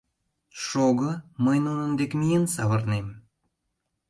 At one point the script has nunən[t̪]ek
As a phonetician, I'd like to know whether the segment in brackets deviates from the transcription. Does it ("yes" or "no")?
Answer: yes